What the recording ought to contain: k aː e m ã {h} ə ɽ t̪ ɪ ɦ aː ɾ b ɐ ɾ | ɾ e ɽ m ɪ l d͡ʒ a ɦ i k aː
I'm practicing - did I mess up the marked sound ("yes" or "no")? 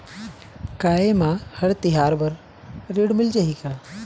no